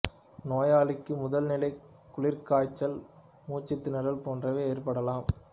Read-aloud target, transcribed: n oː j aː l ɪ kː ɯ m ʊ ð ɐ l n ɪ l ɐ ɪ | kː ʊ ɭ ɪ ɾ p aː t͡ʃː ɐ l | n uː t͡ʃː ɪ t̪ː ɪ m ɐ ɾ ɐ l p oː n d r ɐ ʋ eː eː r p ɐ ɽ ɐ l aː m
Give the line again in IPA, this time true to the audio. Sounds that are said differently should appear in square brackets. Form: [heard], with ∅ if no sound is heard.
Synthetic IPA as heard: n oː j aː l ɪ kː ɯ m ʊ ð ɐ l n ɪ l ɐ ɪ | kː ʊ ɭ ɪ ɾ [k] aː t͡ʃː ɐ l | [m] uː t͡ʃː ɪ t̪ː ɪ [n] ɐ ɾ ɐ l p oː n d r ɐ ʋ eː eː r p ɐ ɽ ɐ l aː m

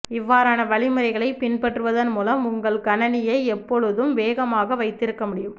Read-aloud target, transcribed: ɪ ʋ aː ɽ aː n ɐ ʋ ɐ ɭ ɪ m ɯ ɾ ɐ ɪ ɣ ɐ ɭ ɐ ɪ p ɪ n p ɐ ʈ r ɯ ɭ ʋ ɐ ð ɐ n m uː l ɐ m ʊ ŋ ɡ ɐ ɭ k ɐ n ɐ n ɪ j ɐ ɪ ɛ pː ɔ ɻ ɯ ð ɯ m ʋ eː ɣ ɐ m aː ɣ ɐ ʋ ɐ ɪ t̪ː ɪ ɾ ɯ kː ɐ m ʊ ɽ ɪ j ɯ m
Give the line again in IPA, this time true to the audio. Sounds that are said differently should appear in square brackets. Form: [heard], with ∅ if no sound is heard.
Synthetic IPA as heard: ɪ [ʋː] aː [ɾ] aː n ɐ ʋ ɐ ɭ ɪ m ɯ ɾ ɐ ɪ ɣ ɐ ɭ ɐ ɪ p ɪ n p ɐ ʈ r ɯ [∅] ʋ ɐ ð ɐ n m uː l ɐ m ʊ ŋ ɡ ɐ ɭ k ɐ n ɐ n ɪ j ɐ ɪ ɛ pː ɔ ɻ ɯ ð ɯ m ʋ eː ɣ ɐ m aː ɣ ɐ ʋ ɐ ɪ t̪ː ɪ ɾ ɯ kː ɐ m ʊ ɽ ɪ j ɯ m

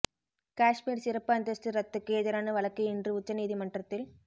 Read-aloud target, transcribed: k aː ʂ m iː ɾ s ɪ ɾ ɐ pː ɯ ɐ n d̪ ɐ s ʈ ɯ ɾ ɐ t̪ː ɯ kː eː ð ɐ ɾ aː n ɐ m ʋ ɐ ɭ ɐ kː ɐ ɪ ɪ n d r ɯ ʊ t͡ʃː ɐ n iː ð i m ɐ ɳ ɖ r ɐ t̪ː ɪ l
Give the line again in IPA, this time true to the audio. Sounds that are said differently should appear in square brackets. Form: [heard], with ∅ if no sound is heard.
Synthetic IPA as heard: k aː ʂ m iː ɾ s ɪ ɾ ɐ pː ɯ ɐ n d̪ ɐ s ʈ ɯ ɾ ɐ t̪ː ɯ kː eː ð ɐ ɾ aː n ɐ [∅] ʋ ɐ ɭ ɐ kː ɐ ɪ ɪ n d r ɯ ʊ t͡ʃː ɐ n iː ð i m ɐ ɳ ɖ r ɐ t̪ː ɪ l

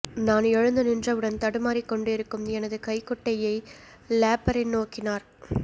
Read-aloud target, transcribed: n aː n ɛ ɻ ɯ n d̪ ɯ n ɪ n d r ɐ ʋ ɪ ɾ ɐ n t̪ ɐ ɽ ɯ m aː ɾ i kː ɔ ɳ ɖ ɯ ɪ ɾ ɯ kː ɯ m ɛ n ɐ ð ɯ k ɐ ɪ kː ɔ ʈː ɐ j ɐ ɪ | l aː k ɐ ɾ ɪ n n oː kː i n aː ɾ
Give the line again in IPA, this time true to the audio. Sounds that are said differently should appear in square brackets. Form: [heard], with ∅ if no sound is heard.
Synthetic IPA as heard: n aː n ɛ ɻ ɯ n d̪ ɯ n ɪ n d r ɐ ʋ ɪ [ɽ] ɐ n t̪ ɐ ɽ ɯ m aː ɾ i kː ɔ ɳ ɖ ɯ ɪ ɾ ɯ kː ɯ m ɛ n ɐ ð ɯ k ɐ ɪ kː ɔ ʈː ɐ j ɐ ɪ | l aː [p] ɐ ɾ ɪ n n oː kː [ɪ] n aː ɾ

